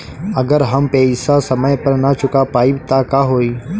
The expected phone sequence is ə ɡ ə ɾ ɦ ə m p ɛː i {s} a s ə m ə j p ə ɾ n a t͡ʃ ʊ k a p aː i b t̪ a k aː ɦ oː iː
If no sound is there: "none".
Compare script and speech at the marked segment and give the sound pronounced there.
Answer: s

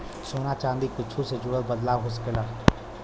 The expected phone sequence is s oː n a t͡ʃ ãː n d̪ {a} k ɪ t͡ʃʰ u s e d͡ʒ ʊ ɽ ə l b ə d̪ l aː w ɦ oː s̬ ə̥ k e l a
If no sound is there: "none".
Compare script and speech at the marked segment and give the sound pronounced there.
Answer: i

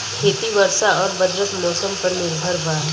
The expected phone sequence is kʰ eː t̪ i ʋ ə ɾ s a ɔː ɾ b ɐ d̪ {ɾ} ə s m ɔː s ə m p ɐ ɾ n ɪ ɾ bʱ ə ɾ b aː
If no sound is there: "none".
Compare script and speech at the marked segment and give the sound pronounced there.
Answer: ɾ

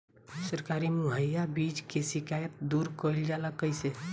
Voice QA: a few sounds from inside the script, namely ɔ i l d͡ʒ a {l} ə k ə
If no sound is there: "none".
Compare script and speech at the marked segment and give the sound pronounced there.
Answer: l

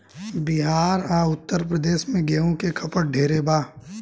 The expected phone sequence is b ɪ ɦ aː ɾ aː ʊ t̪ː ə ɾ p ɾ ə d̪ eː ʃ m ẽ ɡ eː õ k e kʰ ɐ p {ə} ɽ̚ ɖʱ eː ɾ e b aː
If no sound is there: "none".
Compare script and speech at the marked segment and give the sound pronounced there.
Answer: ə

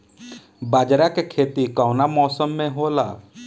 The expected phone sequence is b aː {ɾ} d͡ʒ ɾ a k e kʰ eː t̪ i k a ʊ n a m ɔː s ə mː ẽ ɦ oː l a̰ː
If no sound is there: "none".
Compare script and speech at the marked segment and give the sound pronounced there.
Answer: none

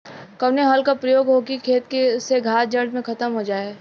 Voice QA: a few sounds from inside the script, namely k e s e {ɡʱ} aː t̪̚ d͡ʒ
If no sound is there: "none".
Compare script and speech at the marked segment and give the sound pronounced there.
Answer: ɡʱ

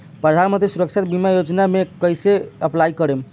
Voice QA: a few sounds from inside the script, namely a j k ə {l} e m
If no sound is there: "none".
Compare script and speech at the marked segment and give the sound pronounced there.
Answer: ɾ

